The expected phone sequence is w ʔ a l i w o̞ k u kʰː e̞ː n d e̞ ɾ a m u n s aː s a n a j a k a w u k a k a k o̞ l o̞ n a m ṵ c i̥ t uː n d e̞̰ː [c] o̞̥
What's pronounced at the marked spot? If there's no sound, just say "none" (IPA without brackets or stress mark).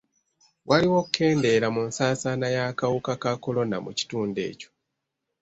c